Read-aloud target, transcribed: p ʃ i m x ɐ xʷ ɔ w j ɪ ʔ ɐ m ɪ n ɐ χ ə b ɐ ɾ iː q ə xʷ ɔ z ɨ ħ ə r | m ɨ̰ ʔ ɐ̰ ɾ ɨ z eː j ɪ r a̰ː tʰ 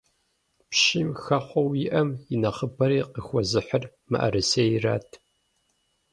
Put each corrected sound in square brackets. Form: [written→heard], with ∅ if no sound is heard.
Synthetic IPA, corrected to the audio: p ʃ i m x ɐ [xʷ→χʷ] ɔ w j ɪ ʔ ɐ m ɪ n ɐ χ ə b ɐ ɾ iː q ə xʷ ɔ z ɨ ħ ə r | m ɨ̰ ʔ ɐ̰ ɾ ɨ [z→s] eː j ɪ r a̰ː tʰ